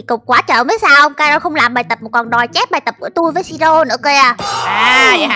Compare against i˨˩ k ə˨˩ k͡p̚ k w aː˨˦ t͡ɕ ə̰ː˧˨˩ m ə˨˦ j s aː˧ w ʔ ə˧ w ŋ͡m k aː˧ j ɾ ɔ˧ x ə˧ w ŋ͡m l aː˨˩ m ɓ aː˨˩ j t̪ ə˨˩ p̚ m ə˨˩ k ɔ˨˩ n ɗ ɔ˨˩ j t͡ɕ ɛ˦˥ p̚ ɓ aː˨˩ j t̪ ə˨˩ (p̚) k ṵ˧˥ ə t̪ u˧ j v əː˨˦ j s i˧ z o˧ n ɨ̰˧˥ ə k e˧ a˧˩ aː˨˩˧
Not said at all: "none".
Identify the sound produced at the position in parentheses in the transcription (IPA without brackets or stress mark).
p̚